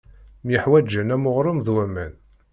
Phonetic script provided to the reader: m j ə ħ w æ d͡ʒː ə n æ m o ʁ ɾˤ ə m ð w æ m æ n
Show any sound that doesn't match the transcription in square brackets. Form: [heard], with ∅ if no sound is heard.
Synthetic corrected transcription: m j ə ħ w æ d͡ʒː ə n æ m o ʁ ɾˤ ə m ð w æ m æ n